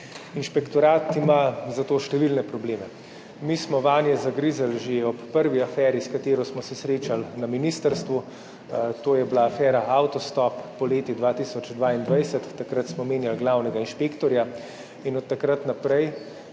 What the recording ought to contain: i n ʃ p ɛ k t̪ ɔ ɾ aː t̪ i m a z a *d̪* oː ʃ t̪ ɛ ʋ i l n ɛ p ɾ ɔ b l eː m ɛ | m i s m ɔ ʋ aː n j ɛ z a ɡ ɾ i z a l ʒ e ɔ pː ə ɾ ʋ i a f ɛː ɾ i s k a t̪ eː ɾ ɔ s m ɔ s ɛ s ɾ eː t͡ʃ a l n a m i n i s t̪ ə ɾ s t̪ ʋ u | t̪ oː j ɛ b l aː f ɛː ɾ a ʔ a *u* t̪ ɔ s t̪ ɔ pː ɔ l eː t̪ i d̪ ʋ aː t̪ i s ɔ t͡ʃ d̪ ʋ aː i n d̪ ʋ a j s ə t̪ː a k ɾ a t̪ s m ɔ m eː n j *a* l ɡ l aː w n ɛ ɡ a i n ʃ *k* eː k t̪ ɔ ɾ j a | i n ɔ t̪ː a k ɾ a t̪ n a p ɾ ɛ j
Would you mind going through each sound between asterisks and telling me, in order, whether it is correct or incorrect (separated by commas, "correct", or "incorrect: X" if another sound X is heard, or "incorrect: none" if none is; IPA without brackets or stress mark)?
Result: incorrect: t̪, incorrect: w, correct, incorrect: p